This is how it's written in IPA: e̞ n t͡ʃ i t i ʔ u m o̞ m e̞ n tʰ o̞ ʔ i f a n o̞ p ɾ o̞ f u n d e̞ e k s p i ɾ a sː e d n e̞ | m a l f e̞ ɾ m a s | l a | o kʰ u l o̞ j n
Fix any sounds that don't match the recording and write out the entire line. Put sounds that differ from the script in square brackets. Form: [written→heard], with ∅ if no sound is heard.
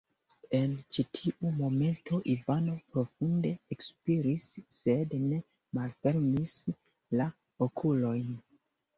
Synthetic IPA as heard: e̞ n t͡ʃ i [t→tʰ] i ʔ u m o̞ m e̞ n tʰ o̞ ʔ i [f→v] a n o̞ p ɾ o̞ f u n d e̞ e k s p i ɾ [a→i] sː e d n e̞ | m a l f e̞ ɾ m [a→i] s | l a | o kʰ u l o̞ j n